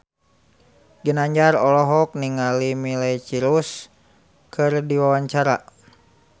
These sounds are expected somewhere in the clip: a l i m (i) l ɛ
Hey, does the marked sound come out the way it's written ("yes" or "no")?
yes